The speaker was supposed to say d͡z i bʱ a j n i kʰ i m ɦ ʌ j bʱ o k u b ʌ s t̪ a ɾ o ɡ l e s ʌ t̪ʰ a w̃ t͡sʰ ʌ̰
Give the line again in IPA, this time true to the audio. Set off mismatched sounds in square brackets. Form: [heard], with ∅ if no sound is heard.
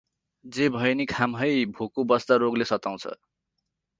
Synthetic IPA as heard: d͡z [e] bʱ [ʌ] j n i kʰ [a] m ɦ ʌ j bʱ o k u b ʌ s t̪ a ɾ o ɡ l e s ʌ [t̪] a w̃ t͡sʰ ʌ̰